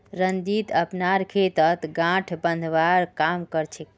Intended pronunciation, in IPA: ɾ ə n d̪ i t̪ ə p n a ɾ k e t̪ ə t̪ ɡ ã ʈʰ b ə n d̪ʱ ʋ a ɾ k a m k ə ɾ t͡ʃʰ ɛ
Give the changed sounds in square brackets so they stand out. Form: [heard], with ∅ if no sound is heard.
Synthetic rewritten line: ɾ ə n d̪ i t̪ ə p n a ɾ [kʰ] e t̪ ə t̪ ɡ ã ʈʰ b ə n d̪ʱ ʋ a ɾ k a m k ə ɾ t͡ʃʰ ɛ